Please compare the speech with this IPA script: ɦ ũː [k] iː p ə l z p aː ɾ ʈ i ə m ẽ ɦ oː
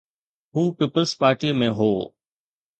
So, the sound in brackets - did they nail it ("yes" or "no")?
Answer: no